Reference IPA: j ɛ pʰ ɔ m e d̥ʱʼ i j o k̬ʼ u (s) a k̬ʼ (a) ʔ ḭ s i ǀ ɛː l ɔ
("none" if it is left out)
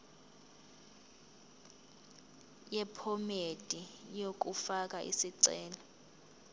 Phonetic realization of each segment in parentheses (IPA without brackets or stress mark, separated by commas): f, a